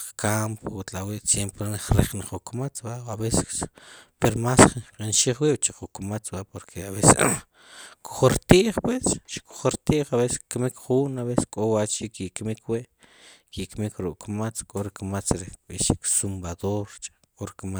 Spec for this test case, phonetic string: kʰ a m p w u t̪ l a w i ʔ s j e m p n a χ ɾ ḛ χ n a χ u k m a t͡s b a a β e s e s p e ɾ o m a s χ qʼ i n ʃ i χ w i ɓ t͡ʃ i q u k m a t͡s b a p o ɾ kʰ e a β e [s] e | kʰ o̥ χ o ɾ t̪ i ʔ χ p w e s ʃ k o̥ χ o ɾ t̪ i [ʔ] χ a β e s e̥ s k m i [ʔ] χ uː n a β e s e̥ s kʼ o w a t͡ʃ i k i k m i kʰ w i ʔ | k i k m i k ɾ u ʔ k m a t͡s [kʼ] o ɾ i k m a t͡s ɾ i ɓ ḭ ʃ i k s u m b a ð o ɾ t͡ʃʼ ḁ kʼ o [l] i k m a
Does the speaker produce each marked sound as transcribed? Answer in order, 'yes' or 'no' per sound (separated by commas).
yes, yes, no, yes, no